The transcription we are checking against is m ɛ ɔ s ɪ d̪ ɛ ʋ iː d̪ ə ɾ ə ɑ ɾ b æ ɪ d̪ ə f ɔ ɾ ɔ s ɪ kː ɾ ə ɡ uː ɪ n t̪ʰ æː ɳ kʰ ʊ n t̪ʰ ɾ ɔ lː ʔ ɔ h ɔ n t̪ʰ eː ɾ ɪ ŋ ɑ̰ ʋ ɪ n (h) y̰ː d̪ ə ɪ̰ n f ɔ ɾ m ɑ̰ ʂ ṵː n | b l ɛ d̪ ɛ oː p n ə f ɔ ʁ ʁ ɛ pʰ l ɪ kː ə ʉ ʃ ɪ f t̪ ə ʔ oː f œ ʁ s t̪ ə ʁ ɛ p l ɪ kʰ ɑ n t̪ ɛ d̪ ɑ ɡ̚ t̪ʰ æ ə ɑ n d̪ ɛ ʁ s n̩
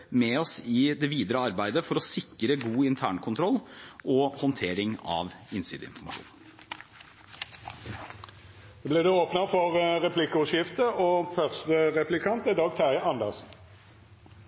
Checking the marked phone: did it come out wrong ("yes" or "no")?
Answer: yes